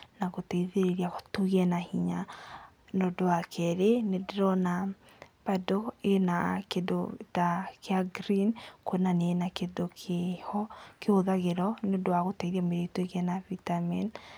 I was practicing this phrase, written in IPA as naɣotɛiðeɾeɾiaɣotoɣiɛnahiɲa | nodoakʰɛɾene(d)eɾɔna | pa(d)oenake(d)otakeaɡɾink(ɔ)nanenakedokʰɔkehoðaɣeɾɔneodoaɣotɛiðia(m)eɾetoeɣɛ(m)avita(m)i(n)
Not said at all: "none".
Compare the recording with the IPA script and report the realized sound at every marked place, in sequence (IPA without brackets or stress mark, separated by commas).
d, d, d, o, m, n, m, n